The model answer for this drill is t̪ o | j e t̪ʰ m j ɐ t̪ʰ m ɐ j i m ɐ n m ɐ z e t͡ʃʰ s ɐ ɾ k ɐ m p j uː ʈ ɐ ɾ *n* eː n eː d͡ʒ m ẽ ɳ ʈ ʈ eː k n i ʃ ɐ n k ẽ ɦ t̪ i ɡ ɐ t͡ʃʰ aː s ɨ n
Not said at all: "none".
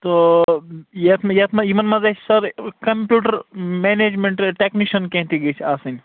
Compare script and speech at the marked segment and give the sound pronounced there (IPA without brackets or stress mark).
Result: m